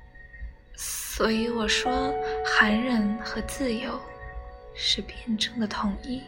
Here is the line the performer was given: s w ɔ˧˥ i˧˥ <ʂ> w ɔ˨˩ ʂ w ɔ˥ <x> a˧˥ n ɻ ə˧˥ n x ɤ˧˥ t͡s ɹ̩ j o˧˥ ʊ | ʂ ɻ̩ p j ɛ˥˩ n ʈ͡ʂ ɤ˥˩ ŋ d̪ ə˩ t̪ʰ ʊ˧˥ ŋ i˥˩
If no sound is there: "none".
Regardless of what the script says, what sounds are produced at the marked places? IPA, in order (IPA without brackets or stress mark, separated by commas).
none, x